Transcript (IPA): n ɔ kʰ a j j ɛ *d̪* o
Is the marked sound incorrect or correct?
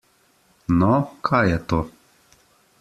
incorrect